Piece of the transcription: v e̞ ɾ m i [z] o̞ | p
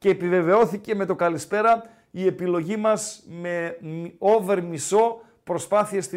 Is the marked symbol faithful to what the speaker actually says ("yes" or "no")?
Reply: no